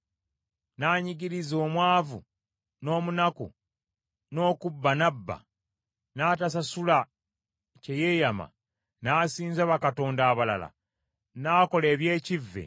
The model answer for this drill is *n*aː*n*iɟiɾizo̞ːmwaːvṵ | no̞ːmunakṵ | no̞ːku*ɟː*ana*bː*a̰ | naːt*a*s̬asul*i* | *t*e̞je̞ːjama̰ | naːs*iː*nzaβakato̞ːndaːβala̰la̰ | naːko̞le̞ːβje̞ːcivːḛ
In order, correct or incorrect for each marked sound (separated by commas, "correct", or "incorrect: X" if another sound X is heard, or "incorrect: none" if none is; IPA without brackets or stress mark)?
correct, incorrect: ɲ, incorrect: bː, correct, correct, incorrect: a, incorrect: c, correct